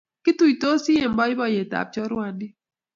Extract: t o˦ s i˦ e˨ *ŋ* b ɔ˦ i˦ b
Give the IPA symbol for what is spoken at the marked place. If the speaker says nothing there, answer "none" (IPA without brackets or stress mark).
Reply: m